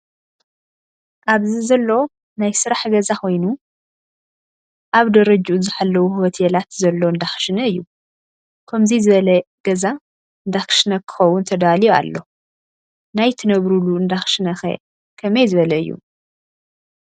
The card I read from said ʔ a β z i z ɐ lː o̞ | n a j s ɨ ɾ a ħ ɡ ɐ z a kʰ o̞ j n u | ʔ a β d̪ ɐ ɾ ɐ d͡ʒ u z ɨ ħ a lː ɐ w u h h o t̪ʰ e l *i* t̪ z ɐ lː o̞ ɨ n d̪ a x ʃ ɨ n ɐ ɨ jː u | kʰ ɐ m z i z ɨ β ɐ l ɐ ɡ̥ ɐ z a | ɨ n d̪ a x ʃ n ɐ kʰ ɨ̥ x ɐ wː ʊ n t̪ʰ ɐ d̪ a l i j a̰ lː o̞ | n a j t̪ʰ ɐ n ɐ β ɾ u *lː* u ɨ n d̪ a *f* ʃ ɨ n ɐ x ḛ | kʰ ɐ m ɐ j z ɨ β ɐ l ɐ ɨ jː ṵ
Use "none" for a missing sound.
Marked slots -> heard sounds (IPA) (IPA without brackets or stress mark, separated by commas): a, l, x